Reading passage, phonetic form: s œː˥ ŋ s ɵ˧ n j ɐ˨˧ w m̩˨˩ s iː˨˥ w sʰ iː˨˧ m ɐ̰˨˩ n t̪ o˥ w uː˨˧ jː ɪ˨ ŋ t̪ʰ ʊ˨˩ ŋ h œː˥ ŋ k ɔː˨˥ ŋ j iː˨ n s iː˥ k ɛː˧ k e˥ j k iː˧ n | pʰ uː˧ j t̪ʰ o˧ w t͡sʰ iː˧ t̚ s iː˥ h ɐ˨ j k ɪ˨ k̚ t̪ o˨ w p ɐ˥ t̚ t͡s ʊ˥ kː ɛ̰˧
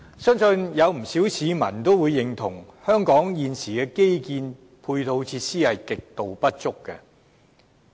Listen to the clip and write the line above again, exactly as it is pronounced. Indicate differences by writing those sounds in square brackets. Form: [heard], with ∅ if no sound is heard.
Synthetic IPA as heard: s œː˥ ŋ s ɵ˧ n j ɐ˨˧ w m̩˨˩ s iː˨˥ w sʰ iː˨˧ m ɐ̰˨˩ n t̪ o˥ w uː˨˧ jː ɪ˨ ŋ t̪ʰ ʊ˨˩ ŋ h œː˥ ŋ k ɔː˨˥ ŋ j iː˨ n s [iː˨˩] k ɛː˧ k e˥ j k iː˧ n | pʰ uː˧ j t̪ʰ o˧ w t͡sʰ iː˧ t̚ s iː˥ h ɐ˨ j k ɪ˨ k̚ t̪ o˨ w p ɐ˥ t̚ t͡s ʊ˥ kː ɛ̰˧

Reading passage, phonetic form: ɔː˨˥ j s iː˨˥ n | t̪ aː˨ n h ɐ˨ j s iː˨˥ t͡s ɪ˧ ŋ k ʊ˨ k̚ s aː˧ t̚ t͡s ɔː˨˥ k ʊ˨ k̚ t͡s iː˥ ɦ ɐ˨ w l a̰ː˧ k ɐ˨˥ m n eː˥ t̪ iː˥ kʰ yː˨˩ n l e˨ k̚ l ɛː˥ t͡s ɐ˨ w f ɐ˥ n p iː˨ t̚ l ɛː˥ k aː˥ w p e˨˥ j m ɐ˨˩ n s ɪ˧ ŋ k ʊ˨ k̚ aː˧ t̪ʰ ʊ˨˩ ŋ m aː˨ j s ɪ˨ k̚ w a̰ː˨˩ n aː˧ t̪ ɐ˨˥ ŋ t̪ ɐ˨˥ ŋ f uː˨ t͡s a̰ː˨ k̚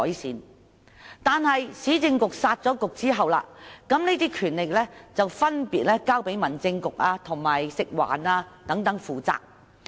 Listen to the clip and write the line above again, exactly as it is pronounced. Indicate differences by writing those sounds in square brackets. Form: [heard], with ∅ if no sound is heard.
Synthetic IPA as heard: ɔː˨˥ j s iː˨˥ n | t̪ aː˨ n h ɐ˨ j s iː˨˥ t͡s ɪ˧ ŋ k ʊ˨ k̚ s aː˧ t̚ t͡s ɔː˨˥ k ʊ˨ k̚ t͡s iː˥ ɦ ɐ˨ w l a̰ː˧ k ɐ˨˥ m n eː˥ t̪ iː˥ kʰ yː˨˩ n l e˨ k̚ l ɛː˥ t͡s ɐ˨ w f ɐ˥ n p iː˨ t̚ l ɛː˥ k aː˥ w p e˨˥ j m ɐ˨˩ n [t͡s] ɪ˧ ŋ k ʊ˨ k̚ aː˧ t̪ʰ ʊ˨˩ ŋ m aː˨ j s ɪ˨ k̚ w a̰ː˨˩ n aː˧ t̪ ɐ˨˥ ŋ t̪ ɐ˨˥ ŋ f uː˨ t͡s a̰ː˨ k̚

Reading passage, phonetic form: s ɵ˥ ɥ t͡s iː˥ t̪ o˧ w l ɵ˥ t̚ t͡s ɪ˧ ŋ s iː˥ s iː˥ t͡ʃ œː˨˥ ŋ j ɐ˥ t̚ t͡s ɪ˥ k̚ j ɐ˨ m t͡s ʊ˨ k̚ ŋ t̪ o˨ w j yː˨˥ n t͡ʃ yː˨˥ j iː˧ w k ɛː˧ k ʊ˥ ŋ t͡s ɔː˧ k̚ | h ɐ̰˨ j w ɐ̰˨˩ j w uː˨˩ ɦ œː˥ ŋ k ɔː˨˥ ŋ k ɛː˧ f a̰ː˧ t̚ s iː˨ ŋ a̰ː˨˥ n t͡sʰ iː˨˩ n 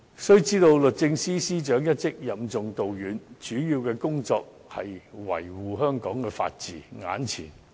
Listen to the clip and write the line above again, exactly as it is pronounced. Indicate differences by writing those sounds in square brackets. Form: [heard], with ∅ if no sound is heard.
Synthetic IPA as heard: s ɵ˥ ɥ t͡s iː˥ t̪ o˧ w l [ɵ˨] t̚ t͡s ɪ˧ ŋ s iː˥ s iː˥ t͡ʃ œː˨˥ ŋ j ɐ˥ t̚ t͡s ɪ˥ k̚ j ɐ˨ m t͡s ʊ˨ [∅] ŋ t̪ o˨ w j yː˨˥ n t͡ʃ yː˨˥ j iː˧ w k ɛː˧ k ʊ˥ ŋ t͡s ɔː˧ k̚ | h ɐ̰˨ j w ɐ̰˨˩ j w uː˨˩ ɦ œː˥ ŋ k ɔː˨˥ ŋ k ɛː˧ f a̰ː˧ t̚ [t͡s] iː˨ ŋ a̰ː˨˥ n t͡sʰ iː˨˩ n

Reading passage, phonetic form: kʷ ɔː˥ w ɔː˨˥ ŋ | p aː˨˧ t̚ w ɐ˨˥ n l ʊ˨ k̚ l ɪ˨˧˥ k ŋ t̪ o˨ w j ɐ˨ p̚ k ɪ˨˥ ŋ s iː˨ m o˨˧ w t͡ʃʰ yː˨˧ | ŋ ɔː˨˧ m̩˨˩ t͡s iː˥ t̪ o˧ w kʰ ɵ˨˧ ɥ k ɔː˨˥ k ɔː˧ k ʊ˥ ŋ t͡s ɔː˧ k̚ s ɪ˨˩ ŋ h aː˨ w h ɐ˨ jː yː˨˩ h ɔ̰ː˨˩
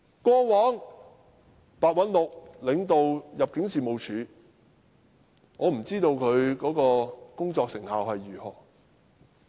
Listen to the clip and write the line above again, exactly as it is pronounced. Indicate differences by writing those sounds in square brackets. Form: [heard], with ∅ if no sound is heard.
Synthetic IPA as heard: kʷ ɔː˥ w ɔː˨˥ ŋ | p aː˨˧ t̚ w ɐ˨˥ n l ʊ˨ k̚ l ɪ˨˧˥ [∅] ŋ t̪ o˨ w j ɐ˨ p̚ k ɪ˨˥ ŋ s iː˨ m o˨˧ w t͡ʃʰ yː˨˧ | ŋ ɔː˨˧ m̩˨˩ t͡s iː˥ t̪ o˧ w kʰ ɵ˨˧ ɥ k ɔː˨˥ k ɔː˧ k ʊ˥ ŋ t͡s ɔː˧ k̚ s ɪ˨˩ ŋ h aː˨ w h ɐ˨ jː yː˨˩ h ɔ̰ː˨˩

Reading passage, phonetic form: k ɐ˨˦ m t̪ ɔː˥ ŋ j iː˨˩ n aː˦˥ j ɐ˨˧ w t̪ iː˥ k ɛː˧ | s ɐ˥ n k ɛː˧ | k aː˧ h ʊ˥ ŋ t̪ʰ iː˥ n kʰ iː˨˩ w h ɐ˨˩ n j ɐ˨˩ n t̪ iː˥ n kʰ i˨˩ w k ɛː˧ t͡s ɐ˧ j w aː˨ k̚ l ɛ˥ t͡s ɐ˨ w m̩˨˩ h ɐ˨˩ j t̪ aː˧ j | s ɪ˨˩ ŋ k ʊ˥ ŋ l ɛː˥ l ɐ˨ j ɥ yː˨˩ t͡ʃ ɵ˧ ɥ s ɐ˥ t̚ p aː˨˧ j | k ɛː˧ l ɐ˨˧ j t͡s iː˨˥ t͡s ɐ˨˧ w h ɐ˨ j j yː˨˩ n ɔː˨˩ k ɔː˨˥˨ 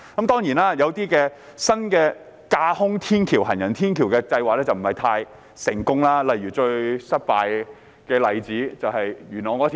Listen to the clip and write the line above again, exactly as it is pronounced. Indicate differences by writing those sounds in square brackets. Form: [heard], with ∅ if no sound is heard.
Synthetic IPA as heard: k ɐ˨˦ m t̪ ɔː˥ ŋ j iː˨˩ n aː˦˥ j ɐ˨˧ w t̪ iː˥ k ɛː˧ | s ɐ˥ n k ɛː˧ | k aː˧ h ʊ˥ ŋ t̪ʰ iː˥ n kʰ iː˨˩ w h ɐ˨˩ n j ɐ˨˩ n [t̪ʰ] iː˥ n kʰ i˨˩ w k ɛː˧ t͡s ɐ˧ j w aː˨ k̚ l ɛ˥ t͡s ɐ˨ w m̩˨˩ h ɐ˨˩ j [t̪ʰ] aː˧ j | s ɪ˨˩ ŋ k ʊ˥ ŋ l [aː˥] l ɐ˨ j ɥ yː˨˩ t͡ʃ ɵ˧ ɥ s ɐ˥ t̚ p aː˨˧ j | k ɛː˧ l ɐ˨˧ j t͡s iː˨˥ t͡s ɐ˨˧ w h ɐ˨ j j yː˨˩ n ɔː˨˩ k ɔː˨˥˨

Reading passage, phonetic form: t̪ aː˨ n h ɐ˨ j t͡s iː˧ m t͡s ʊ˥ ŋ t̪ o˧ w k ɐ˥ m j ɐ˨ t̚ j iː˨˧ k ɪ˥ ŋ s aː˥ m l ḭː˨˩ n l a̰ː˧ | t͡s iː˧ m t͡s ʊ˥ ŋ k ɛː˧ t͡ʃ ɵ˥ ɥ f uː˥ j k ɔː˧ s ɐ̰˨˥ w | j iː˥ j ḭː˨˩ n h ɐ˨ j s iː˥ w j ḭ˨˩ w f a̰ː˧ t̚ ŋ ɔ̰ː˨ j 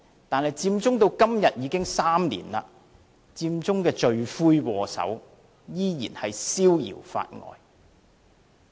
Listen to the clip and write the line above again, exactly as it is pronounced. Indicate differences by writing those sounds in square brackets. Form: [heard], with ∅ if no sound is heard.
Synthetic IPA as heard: t̪ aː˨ n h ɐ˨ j t͡s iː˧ m t͡s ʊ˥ ŋ t̪ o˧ w k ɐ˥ m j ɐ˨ t̚ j iː˨˧ k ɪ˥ ŋ s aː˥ m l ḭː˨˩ n l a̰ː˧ | t͡s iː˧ m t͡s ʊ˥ ŋ k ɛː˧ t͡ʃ [ɵ˨˧] ɥ f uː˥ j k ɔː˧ s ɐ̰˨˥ w | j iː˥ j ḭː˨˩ n h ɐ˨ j s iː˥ w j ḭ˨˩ w f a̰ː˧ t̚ ŋ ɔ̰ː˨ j

